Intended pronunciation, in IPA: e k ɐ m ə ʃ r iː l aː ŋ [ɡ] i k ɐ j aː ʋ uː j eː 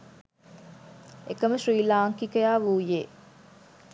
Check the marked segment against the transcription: incorrect: k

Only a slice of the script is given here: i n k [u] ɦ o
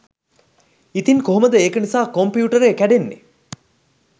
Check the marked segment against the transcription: incorrect: o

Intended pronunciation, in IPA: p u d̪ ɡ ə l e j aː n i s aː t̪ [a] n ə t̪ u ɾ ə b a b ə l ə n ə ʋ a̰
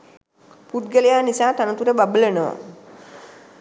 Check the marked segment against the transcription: correct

